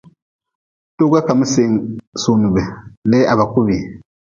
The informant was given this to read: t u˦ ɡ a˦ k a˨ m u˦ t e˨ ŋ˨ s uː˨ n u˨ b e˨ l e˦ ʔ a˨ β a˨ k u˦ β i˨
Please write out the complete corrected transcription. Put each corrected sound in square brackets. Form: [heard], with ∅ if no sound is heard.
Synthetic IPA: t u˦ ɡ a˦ k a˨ m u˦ [s] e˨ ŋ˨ s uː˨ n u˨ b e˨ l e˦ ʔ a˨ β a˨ k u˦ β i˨